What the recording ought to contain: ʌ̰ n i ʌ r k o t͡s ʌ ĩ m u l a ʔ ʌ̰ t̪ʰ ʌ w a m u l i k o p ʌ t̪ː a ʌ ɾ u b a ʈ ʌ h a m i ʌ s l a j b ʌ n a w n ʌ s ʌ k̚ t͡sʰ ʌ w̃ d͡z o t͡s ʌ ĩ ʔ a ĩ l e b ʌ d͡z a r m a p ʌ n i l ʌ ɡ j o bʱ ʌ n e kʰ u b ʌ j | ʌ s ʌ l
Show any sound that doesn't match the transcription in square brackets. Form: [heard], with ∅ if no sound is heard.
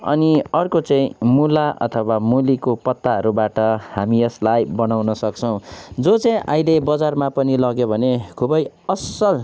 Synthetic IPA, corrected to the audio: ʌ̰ n i ʌ r k o t͡s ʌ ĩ m u l a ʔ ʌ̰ t̪ʰ ʌ w a m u l i k o p ʌ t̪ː a ʌ ɾ u b a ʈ ʌ h a m i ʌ s l a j b ʌ n a w n ʌ s ʌ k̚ t͡sʰ ʌ w̃ d͡z o t͡s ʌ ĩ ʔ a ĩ l e b ʌ d͡z a r m a p ʌ n i l ʌ ɡ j o bʱ ʌ n e kʰ u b ʌ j | ʌ s ʌ l